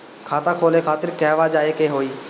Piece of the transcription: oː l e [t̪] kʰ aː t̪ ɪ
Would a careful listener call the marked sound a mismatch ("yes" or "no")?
yes